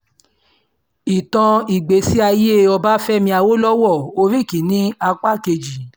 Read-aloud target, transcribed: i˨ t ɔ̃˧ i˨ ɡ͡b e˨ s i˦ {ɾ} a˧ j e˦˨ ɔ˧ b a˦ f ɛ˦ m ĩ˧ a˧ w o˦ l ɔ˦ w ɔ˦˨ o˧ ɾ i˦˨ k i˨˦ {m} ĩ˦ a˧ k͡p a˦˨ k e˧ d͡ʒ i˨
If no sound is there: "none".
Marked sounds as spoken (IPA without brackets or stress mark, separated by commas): none, n